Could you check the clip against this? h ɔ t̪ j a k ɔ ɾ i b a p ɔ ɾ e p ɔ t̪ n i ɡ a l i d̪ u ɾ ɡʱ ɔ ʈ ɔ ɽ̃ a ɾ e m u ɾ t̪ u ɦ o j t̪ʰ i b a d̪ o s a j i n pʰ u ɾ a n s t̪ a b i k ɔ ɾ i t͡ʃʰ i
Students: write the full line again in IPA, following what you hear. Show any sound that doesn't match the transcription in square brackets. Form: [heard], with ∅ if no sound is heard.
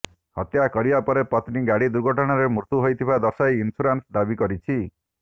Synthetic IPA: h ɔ t̪ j a k ɔ ɾ i b a p ɔ ɾ e p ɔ t̪ n i ɡ a [ɽ] i d̪ u ɾ ɡʱ ɔ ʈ ɔ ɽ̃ a ɾ e m u ɾ t̪ u ɦ o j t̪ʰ i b a d̪ [ɔ] s a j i n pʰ u ɾ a n s [d̪] a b i k ɔ ɾ i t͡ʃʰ i